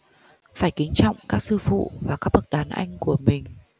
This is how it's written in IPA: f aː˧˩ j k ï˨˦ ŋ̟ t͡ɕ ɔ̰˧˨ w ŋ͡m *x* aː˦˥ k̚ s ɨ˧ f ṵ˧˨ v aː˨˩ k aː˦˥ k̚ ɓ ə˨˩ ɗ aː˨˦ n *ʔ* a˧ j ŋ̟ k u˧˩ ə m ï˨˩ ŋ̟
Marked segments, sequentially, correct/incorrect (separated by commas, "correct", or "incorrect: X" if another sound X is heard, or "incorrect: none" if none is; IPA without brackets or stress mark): incorrect: k, correct